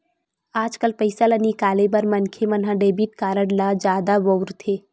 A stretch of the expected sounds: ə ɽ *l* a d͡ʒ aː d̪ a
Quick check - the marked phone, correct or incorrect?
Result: correct